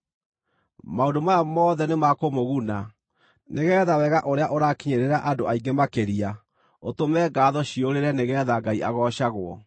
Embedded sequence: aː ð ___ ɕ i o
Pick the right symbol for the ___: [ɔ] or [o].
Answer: ɔ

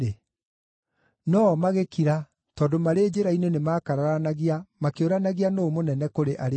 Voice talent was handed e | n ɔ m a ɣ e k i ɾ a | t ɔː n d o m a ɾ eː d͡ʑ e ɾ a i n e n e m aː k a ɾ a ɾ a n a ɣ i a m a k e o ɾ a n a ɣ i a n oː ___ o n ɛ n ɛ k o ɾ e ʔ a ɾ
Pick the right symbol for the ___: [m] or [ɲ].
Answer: m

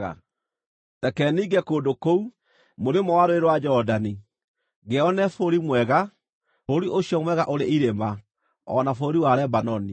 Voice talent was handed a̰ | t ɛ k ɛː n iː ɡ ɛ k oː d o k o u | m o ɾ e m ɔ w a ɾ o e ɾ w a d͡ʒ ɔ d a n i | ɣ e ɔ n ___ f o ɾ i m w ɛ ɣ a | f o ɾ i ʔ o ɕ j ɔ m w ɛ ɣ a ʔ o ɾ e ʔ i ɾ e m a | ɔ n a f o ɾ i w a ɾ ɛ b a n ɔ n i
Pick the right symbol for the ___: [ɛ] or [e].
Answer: ɛ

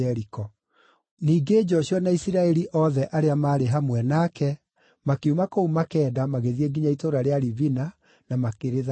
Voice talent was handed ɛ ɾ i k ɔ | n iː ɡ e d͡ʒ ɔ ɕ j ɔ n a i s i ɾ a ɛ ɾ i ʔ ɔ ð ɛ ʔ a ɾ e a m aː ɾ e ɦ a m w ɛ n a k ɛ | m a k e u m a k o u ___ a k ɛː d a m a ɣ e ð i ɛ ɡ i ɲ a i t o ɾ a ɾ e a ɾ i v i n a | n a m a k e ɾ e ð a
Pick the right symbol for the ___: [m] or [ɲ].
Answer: m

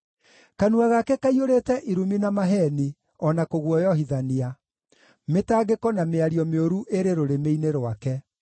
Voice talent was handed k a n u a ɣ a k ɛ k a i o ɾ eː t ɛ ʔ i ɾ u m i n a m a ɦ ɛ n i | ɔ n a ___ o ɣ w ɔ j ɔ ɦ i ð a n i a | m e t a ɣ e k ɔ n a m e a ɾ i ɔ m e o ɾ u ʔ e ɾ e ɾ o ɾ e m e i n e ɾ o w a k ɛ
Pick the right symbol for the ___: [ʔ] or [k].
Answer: k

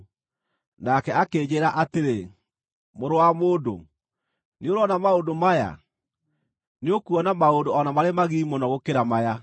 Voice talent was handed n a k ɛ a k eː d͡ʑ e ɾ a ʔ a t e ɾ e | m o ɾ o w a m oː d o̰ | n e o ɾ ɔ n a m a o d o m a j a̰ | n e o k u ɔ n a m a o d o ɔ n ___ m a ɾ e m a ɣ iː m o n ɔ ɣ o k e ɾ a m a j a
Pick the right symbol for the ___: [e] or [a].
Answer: a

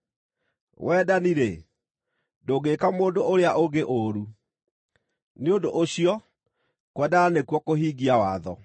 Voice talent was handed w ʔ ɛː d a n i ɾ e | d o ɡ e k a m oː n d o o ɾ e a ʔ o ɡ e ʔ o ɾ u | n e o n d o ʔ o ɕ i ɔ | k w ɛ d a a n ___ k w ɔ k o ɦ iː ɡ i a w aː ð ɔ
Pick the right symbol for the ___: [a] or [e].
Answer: e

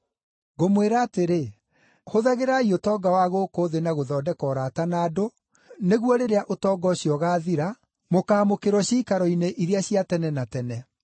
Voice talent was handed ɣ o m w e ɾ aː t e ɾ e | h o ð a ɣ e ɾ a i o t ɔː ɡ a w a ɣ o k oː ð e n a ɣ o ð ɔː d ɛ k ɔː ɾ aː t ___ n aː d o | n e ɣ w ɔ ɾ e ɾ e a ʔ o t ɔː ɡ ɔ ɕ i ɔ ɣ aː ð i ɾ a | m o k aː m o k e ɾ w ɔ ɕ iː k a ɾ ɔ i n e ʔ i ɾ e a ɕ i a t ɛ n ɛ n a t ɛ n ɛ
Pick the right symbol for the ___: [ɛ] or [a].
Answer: a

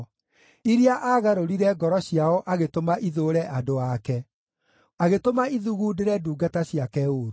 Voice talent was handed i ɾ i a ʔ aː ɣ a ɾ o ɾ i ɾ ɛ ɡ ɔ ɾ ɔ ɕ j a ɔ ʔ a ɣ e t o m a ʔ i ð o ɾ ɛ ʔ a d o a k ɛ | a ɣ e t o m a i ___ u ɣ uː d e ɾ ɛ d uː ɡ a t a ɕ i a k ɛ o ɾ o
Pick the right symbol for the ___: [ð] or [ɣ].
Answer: ð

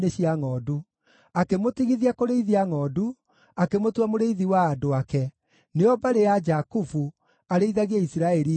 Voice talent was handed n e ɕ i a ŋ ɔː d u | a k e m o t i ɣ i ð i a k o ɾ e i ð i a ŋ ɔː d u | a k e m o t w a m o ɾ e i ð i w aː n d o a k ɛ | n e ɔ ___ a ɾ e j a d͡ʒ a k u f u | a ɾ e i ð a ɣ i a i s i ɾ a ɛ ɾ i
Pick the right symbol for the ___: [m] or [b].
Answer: b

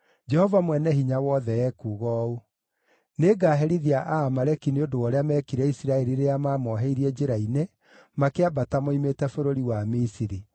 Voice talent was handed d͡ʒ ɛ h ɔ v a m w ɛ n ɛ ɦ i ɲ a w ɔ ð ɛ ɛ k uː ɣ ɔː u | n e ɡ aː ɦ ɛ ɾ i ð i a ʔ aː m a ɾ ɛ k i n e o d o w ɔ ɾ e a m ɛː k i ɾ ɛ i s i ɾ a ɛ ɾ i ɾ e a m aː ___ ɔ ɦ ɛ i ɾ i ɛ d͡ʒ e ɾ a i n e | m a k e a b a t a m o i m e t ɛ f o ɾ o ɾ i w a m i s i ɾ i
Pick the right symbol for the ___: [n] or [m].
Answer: m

